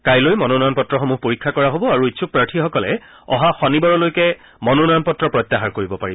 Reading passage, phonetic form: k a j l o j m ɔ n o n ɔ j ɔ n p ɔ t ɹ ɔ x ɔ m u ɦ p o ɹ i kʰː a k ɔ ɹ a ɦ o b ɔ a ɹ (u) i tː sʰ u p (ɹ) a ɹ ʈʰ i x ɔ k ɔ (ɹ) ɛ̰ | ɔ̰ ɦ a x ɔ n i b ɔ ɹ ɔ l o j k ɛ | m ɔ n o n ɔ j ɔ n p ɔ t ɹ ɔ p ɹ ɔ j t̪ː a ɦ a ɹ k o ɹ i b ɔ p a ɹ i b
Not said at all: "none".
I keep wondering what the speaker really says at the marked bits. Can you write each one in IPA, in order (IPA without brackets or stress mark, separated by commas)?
u, ɹ, l